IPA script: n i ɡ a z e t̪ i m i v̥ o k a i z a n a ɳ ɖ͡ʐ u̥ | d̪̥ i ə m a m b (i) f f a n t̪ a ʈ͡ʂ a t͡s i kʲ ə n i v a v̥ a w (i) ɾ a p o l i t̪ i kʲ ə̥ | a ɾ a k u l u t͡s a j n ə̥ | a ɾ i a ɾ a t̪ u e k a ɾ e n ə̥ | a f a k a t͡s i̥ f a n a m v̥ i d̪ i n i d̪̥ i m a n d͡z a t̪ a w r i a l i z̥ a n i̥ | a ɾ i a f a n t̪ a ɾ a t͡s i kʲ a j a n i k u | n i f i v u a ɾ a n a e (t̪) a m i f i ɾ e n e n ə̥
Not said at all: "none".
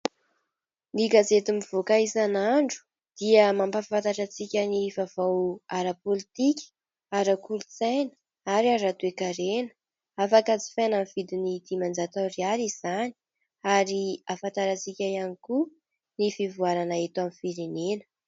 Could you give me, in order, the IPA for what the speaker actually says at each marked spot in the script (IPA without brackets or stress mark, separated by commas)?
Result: a, a, t̪